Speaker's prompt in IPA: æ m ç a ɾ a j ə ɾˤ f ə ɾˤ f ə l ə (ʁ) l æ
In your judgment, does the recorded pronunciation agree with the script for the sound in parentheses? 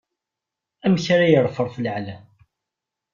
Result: no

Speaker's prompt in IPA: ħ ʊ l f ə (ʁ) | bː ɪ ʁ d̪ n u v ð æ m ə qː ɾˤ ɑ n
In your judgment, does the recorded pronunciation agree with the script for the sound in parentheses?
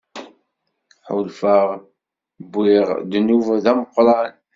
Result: yes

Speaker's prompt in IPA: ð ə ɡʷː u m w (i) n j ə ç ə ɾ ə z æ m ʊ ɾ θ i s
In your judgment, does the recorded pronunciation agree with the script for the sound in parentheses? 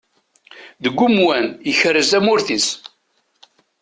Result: no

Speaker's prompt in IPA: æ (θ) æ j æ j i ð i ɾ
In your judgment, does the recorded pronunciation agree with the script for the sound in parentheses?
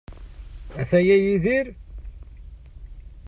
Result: yes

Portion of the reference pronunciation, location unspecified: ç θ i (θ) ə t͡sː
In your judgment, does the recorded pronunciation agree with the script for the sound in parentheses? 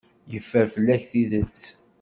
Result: no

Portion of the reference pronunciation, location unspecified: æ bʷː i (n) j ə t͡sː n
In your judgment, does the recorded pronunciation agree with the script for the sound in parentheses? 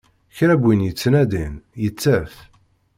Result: yes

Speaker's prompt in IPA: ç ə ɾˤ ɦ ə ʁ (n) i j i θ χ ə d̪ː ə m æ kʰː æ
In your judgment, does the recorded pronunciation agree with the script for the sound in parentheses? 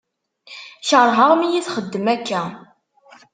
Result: no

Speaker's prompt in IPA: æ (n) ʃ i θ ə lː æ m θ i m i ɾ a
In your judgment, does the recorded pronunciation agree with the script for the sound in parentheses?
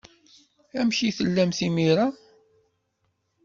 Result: no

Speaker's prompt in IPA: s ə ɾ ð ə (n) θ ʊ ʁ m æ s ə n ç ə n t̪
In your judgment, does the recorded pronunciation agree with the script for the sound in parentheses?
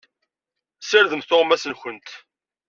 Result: no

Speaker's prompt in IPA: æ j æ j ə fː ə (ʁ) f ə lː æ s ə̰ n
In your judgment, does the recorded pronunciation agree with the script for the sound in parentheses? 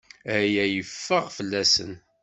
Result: yes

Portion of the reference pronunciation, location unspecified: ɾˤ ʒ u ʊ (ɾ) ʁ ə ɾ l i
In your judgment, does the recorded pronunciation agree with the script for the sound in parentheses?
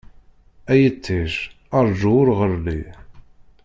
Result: yes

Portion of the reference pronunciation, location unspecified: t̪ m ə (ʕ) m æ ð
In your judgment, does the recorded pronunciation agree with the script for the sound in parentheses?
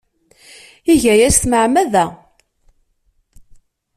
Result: yes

